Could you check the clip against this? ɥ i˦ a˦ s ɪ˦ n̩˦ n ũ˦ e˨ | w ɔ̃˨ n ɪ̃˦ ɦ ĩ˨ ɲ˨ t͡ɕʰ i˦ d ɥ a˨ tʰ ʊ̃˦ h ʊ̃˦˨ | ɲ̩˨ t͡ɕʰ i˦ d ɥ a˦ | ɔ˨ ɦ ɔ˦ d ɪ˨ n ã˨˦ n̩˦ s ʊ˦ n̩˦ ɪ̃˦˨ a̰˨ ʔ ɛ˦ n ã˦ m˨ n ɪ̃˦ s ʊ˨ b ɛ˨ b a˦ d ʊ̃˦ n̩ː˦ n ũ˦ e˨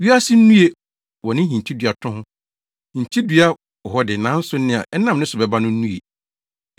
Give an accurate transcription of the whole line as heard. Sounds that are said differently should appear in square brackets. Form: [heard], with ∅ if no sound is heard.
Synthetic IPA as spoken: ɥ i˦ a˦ s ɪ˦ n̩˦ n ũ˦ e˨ | w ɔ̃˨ n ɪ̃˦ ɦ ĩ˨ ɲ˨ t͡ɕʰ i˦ d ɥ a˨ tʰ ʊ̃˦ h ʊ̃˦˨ | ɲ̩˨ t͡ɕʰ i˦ d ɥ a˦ | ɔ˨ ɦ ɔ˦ d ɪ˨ n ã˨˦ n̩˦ s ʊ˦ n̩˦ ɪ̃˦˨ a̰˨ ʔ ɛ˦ n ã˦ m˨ n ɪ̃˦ s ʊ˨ b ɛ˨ b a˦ [n] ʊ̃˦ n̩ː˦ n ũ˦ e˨

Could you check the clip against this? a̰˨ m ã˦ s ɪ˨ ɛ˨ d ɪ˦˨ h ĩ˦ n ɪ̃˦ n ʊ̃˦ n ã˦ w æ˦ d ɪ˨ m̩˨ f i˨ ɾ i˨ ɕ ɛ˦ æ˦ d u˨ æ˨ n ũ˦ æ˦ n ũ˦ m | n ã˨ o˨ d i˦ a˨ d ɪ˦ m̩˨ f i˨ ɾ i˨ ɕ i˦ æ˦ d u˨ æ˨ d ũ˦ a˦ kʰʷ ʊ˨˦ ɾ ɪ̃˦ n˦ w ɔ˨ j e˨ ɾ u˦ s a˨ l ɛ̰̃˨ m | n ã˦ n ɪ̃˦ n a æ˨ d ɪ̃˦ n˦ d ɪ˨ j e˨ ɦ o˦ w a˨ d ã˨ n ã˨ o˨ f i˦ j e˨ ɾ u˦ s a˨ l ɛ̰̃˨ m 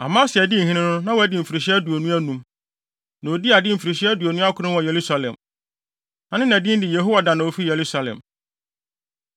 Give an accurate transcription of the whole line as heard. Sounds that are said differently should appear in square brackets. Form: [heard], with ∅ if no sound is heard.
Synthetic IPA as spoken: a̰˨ m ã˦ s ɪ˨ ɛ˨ d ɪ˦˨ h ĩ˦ n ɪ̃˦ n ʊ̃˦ n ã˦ w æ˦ d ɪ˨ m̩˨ f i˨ ɾ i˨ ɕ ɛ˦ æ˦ d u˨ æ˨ n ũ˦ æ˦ n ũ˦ m | n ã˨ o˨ d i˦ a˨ d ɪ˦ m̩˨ f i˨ ɾ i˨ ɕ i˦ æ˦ d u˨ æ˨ [n] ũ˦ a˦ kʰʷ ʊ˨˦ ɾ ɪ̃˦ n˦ w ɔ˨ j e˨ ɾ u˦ s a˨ l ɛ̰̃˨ m | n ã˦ n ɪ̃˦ n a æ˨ d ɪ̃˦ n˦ d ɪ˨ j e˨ ɦ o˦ w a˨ d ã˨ n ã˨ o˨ f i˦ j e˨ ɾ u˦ s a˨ l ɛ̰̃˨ m

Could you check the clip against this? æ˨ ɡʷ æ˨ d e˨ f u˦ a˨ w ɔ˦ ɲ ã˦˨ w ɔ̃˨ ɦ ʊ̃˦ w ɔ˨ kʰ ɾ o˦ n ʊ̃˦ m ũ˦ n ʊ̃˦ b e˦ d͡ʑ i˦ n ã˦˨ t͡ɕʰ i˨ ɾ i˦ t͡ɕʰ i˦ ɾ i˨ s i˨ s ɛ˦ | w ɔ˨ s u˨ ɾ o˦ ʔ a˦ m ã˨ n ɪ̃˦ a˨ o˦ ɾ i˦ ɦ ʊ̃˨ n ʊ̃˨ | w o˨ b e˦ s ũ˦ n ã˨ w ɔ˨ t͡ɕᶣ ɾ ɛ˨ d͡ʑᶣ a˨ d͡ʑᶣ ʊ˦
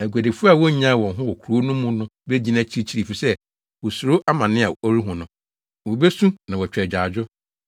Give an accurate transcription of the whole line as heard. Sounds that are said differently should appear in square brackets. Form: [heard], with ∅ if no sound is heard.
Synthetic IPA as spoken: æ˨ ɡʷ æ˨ d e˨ f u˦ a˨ w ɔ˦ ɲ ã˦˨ w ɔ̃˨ ɦ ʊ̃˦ w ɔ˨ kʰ ɾ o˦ n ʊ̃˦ m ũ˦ n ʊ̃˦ b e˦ d͡ʑ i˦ n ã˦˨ t͡ɕʰ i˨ ɾ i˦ t͡ɕʰ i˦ ɾ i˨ [f] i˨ s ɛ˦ | w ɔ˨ s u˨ ɾ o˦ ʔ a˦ m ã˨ n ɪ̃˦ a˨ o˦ ɾ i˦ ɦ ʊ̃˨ n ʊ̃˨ | w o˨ b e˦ s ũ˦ n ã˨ w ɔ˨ t͡ɕᶣ ɾ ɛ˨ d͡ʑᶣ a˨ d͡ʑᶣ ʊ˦

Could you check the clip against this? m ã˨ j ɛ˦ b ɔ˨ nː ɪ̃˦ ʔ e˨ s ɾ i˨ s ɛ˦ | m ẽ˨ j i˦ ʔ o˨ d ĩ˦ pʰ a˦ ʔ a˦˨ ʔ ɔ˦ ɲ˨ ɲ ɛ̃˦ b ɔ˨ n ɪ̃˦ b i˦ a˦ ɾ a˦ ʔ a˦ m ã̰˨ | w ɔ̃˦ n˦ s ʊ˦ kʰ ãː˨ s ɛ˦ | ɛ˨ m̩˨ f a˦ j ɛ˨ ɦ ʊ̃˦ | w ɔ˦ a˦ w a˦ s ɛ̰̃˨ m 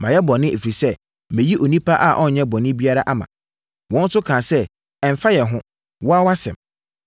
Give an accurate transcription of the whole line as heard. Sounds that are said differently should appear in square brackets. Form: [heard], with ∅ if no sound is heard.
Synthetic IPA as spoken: m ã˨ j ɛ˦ b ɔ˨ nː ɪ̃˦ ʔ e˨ [f] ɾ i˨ s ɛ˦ | m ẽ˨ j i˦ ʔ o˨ [n] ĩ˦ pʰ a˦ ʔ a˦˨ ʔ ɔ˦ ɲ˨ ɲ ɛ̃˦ b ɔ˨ n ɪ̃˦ b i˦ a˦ ɾ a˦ ʔ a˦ m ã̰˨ | w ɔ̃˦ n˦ s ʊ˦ kʰ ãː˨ s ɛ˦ | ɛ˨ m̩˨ f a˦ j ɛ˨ ɦ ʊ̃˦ | w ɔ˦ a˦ w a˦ s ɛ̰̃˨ m

